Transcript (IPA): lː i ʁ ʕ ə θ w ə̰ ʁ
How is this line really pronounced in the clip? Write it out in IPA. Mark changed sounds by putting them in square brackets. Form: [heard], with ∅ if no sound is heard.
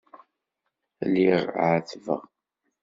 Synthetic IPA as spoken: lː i ʁ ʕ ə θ [v] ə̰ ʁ